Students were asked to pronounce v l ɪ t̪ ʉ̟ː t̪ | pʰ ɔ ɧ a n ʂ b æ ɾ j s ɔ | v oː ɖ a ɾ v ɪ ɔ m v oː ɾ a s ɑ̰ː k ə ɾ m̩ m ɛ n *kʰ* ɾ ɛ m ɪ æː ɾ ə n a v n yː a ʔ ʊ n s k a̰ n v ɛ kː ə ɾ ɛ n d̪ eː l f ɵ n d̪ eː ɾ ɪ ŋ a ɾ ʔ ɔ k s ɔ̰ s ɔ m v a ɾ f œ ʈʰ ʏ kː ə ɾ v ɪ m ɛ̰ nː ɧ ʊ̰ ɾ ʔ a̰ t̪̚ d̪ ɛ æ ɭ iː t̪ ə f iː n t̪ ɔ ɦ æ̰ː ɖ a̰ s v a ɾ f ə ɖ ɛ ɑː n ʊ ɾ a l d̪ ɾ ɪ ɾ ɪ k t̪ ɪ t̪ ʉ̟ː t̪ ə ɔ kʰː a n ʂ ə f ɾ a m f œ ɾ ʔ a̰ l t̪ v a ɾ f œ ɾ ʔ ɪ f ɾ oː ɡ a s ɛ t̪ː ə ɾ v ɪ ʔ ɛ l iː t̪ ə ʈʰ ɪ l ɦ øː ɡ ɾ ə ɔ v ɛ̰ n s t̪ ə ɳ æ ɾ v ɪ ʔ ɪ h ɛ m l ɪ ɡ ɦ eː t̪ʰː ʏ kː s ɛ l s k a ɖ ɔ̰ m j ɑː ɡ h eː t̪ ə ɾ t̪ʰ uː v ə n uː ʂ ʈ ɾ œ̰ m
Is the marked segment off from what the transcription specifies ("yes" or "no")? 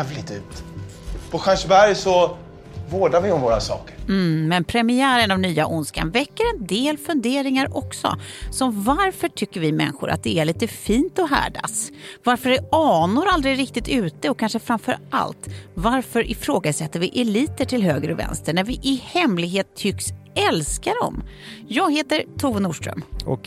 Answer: yes